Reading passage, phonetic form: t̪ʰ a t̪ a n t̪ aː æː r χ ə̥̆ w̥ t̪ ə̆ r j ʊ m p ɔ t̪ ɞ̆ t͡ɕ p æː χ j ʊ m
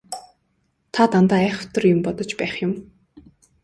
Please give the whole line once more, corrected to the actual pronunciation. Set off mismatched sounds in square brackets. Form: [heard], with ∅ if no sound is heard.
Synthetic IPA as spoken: t̪ʰ a t̪ a n t̪ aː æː [∅] χ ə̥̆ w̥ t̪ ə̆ r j ʊ m p ɔ t̪ ɞ̆ t͡ɕ p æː χ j ʊ m